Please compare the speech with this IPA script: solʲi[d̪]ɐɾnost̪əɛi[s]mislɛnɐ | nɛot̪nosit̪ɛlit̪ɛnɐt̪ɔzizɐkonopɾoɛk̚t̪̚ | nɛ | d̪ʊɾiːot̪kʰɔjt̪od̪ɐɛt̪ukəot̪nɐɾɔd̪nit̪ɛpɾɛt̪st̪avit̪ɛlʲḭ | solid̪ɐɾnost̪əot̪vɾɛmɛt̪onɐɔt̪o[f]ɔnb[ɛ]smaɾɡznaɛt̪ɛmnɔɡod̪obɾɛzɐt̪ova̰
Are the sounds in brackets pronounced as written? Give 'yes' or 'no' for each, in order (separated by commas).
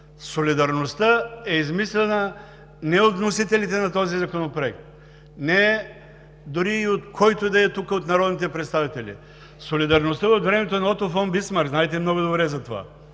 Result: yes, no, yes, no